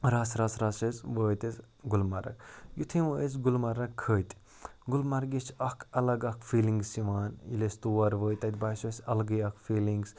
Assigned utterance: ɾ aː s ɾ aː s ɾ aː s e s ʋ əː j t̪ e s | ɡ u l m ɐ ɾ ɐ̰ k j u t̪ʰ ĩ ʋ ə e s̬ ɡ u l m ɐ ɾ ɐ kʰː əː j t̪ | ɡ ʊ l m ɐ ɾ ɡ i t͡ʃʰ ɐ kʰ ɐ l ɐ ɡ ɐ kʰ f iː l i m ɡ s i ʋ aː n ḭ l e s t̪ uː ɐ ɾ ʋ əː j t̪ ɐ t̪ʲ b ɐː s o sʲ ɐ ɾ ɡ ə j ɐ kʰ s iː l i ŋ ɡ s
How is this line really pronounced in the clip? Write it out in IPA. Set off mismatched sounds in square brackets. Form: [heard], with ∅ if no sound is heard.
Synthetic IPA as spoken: ɾ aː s ɾ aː s ɾ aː s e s ʋ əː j t̪ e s | ɡ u l m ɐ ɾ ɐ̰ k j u t̪ʰ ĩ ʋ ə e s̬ ɡ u l m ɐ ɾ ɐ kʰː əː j t̪ | ɡ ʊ l m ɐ ɾ ɡ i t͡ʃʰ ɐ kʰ ɐ l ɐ ɡ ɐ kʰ f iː l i [ŋ] ɡ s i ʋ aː n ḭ l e s t̪ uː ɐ ɾ ʋ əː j t̪ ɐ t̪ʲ b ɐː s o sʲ ɐ [l] ɡ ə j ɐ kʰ [f] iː l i ŋ ɡ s

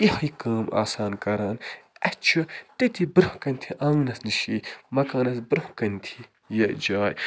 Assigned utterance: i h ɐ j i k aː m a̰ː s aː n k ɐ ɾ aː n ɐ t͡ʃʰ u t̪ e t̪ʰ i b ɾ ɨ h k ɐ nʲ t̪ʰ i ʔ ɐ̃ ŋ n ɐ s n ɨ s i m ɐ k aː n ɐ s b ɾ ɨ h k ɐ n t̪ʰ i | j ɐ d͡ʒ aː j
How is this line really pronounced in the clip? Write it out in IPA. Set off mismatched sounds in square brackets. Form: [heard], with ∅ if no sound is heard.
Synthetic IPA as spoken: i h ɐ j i k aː m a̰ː s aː n k ɐ ɾ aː n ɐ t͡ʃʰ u t̪ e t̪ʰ i b ɾ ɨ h k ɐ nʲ t̪ʰ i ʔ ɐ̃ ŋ n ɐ s n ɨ [ʃ] i m ɐ k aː n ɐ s b ɾ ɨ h k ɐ n t̪ʰ i | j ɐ d͡ʒ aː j

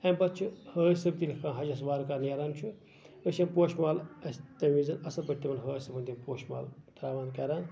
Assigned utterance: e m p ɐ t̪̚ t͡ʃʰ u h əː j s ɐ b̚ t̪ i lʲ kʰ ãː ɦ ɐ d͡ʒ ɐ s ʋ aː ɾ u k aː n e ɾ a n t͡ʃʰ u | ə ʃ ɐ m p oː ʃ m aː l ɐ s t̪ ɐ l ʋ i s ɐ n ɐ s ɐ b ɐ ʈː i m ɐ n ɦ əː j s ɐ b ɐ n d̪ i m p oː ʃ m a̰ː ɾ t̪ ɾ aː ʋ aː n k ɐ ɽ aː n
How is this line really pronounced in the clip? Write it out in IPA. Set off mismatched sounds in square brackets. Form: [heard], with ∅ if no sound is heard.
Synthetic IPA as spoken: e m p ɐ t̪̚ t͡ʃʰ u h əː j s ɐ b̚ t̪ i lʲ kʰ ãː ɦ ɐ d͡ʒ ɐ s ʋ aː ɾ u k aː n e ɾ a n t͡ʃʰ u | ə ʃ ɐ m p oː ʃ m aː l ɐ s t̪ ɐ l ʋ i [z] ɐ n ɐ s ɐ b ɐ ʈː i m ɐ n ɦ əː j s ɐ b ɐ n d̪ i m p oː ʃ m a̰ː [l] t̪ ɾ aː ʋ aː n k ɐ [ɾ] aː n

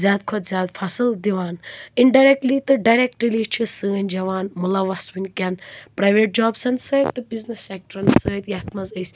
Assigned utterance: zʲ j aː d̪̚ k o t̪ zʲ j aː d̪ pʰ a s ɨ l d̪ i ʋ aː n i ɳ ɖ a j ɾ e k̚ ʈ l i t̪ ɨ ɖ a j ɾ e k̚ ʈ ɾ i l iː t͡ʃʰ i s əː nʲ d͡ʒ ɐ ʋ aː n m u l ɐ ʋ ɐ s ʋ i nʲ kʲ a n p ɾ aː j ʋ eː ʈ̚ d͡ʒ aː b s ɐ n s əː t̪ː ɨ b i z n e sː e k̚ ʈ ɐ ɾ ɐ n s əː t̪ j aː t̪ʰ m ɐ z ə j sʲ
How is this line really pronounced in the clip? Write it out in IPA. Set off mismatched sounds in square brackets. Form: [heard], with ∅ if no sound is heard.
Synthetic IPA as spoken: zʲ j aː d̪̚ [kʰ] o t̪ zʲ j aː d̪ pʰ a s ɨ l d̪ i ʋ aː n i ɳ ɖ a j ɾ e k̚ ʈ l i t̪ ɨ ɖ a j ɾ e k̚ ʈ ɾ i l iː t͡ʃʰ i s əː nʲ d͡ʒ ɐ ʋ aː n m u l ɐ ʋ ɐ s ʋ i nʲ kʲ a n p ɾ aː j ʋ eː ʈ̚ d͡ʒ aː b s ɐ n s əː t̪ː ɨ b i z n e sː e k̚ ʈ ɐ ɾ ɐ n s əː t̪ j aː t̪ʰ m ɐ z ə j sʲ

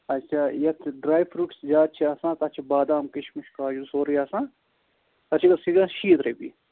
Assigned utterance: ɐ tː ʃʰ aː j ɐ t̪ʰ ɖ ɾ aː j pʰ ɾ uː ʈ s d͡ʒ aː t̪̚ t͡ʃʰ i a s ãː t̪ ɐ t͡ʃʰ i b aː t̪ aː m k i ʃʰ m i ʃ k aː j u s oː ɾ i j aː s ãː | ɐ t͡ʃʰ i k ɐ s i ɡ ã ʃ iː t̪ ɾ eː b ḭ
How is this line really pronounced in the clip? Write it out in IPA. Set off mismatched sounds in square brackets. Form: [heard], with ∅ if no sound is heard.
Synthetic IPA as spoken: ɐ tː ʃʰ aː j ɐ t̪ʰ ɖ ɾ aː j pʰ ɾ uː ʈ s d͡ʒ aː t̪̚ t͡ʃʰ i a s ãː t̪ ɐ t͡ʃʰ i b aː [d̪] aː m k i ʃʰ m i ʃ k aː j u s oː ɾ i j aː s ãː | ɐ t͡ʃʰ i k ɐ s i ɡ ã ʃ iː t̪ ɾ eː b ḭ

